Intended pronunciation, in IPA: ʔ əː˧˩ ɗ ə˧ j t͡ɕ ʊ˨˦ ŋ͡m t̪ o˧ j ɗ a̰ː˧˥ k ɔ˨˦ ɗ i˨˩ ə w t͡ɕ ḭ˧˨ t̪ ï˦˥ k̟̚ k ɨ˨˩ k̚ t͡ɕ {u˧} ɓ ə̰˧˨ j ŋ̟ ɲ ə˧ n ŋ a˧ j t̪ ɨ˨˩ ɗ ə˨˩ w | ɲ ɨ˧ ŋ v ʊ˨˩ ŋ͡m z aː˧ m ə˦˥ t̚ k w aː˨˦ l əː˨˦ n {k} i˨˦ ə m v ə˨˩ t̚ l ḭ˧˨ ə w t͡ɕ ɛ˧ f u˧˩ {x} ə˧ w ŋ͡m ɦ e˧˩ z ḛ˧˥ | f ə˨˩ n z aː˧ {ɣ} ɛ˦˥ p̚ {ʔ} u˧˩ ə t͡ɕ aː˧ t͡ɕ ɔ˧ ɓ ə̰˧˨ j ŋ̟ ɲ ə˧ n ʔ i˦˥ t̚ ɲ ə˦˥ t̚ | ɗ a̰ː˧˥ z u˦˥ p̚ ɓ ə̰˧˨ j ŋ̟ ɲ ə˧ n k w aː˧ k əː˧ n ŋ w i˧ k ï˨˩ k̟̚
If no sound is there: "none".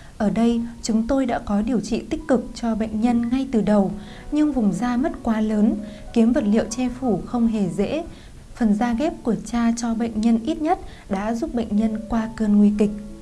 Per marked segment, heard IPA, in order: ɔ˧, k, x, ɣ, k

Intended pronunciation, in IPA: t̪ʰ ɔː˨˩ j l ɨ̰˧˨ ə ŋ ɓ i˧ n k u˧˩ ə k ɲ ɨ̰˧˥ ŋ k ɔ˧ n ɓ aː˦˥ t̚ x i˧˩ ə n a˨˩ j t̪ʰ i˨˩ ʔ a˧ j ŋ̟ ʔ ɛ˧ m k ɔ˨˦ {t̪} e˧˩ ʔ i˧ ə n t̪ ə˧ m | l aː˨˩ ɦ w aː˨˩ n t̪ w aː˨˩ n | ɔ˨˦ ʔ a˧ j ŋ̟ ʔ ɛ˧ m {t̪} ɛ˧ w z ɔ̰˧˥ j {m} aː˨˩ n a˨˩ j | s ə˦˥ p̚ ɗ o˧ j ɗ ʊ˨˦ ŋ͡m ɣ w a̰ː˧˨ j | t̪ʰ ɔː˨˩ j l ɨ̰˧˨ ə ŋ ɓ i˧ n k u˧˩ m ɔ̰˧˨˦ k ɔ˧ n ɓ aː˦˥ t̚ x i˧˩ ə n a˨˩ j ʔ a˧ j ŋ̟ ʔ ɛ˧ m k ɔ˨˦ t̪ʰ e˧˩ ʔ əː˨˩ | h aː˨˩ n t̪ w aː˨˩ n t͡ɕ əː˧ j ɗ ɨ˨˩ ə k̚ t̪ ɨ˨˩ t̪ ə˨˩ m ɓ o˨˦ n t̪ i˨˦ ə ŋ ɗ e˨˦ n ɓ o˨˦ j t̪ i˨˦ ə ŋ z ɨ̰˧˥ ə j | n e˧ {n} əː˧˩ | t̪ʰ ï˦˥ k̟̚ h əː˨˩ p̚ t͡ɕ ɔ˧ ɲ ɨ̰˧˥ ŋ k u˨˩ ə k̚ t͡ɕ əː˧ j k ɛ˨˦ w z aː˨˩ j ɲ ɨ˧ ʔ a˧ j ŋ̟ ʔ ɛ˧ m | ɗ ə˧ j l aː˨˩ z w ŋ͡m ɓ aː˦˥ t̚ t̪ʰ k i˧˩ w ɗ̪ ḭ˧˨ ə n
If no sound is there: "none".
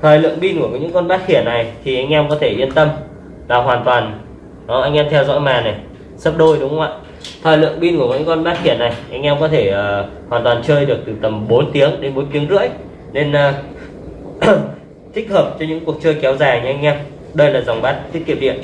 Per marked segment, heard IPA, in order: t̪ʰ, t̪ʰ, m, n

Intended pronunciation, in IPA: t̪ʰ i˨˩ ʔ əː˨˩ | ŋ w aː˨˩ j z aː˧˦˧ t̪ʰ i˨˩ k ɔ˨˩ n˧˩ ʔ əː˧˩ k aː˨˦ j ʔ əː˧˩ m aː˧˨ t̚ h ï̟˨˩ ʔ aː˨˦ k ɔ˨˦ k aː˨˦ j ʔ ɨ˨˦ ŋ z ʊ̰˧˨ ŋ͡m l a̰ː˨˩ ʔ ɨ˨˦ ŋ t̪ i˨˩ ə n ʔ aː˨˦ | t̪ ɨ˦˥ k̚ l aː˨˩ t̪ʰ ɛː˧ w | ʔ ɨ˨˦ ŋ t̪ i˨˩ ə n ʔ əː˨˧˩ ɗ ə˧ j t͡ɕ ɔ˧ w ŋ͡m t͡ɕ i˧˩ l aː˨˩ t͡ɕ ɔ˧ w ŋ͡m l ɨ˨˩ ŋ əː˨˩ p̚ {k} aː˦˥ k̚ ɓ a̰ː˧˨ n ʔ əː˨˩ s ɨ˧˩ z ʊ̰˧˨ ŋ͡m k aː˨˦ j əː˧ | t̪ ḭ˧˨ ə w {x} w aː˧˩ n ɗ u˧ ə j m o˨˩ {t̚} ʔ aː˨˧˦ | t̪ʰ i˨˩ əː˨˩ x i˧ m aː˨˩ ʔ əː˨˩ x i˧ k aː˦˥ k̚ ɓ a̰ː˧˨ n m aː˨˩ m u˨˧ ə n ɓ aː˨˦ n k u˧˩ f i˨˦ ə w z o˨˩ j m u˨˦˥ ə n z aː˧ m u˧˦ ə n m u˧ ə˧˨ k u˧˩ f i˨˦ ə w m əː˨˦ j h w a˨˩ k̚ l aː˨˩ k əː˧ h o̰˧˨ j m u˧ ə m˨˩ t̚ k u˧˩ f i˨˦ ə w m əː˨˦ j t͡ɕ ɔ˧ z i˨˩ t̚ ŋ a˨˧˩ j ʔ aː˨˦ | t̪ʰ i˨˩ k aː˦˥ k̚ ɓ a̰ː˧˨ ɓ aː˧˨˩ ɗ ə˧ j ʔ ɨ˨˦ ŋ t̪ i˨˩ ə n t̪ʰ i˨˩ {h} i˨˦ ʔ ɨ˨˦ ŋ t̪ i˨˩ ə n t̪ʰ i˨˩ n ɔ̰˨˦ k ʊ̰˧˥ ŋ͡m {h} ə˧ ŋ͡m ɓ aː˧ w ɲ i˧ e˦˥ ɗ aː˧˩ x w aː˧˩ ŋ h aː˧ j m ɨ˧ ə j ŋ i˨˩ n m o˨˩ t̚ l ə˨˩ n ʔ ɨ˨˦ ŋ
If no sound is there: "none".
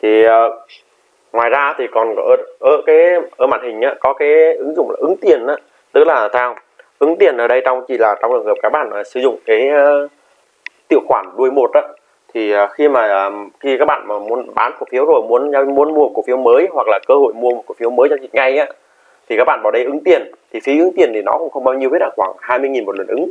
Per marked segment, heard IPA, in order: k, x, t̚, f, x

